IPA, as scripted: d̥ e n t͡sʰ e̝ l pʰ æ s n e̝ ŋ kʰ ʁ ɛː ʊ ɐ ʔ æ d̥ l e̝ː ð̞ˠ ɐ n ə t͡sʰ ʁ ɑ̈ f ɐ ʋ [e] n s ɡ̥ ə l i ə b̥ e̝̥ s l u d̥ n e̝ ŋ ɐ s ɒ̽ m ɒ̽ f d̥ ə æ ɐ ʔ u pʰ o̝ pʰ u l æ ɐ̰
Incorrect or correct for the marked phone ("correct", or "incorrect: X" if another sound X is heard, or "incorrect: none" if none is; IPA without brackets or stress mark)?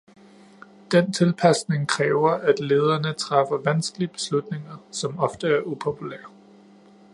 incorrect: æ